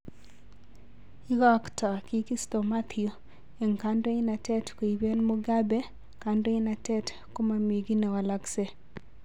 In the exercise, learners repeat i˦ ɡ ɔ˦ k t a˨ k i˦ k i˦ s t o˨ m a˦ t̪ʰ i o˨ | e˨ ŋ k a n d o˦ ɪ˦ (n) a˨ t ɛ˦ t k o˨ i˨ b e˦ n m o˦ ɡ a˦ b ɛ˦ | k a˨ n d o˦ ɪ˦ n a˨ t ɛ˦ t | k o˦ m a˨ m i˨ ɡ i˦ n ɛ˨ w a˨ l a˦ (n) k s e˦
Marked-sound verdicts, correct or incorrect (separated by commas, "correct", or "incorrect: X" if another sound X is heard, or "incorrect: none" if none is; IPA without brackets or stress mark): correct, incorrect: none